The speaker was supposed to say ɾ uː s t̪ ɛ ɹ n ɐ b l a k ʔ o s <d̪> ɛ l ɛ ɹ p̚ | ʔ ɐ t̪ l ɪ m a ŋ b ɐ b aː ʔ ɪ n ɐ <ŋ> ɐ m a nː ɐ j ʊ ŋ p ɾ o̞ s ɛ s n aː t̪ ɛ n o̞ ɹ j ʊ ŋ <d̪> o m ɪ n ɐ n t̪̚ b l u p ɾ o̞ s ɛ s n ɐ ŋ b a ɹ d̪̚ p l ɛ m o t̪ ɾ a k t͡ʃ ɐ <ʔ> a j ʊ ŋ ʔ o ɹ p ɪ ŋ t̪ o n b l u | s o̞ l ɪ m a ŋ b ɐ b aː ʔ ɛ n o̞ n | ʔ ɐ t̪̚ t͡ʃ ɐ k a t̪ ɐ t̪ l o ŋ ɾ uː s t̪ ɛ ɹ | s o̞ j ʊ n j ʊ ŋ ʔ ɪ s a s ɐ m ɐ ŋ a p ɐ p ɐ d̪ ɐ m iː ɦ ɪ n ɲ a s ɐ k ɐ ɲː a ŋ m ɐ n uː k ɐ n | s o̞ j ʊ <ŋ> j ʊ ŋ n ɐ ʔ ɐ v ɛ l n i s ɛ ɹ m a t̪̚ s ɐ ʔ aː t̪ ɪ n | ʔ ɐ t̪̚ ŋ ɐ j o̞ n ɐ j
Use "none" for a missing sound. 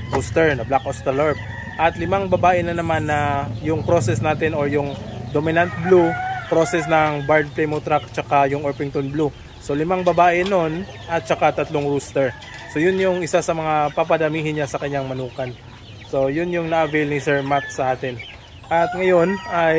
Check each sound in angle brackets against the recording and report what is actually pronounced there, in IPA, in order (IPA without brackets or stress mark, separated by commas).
t̪, n, d̪, k, n